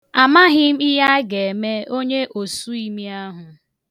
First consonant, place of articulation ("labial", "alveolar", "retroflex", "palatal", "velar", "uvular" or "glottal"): labial